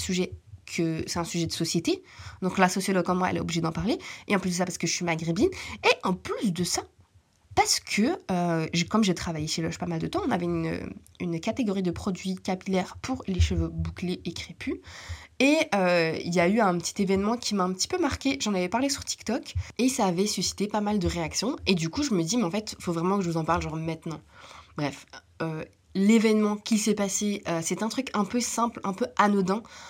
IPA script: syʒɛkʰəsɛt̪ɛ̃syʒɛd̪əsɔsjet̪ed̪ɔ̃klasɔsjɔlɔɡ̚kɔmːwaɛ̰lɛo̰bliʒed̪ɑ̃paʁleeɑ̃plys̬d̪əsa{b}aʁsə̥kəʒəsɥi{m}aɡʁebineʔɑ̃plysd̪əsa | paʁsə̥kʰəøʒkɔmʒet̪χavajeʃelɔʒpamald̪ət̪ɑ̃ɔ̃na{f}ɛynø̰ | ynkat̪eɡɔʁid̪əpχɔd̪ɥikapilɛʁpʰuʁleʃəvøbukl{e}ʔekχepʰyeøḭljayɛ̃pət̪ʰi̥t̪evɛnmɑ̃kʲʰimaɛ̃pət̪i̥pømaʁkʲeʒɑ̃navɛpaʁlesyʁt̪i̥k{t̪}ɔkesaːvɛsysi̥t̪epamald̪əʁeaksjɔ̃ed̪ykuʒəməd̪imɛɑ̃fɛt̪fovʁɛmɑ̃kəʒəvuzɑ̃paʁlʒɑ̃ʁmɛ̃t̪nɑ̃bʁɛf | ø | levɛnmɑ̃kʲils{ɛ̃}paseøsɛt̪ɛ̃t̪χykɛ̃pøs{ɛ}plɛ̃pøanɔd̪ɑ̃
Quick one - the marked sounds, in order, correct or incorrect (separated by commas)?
incorrect, correct, incorrect, correct, correct, incorrect, incorrect